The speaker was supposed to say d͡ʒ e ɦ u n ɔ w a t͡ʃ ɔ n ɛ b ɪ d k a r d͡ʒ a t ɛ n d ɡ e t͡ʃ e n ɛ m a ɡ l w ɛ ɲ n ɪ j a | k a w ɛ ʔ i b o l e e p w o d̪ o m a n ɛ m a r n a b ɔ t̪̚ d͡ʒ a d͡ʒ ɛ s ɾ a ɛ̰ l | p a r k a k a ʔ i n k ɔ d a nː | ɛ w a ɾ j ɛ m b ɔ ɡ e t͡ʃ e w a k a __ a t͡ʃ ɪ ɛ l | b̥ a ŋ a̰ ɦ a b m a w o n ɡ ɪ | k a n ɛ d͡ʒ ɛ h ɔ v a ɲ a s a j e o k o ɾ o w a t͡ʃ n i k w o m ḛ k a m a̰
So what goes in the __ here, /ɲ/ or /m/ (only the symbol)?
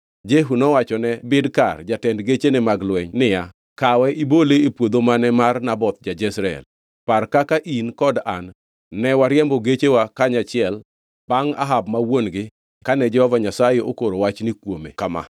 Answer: ɲ